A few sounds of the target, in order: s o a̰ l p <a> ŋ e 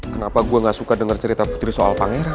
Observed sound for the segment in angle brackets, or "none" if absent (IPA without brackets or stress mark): a